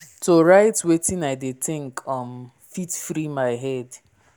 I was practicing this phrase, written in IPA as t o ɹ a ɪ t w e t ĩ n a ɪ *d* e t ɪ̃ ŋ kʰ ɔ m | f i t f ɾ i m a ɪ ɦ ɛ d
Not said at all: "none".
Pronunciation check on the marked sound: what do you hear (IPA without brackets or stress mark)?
d